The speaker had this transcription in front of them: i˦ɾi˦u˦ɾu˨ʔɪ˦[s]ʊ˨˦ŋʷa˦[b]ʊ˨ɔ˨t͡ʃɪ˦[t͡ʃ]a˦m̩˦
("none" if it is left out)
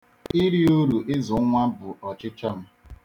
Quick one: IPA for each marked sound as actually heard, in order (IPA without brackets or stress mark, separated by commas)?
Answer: z, b, t͡ʃ